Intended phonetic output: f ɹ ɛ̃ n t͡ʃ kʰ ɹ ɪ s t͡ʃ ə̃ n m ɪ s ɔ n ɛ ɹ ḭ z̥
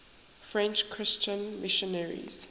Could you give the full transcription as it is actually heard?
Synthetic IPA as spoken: f ɹ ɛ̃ n t͡ʃ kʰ ɹ ɪ s t͡ʃ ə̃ n m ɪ ʃ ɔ n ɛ ɹ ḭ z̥

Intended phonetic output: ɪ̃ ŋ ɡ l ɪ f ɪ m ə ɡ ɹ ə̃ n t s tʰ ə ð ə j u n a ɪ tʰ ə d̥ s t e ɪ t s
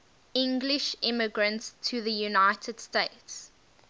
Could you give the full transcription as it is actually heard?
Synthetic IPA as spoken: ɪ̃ ŋ ɡ l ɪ ʃ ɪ m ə ɡ ɹ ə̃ n t s tʰ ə ð ə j u n a ɪ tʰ ə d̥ s t e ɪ t s

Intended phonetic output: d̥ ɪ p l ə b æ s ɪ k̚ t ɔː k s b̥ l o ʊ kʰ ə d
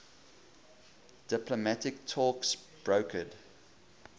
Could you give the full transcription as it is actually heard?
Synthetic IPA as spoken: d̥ ɪ p l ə m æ t ɪ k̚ tʰ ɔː k s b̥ ɹ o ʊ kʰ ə d

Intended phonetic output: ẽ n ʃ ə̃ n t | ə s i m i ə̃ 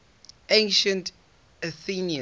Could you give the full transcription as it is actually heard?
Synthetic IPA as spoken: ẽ n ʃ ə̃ n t | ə θ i n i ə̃

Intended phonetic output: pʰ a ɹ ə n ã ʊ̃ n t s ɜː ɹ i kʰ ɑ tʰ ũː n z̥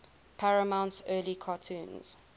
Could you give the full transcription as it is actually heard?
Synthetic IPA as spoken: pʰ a ɹ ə m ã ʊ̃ n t s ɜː l i kʰ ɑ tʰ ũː n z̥

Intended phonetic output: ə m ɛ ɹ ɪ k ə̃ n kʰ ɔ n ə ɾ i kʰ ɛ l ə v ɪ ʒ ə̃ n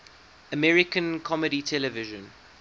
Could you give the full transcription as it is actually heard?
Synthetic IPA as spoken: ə m ɛ ɹ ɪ k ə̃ n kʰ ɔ m ə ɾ i tʰ ɛ l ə v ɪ ʒ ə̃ n

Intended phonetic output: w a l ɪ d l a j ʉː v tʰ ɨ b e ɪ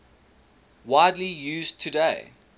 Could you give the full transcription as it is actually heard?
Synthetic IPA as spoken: w a ɪ d l i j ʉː z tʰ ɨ d e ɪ

